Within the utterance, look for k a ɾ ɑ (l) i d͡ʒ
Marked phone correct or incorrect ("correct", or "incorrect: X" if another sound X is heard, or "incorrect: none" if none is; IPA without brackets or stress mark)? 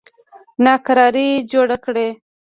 incorrect: ɾ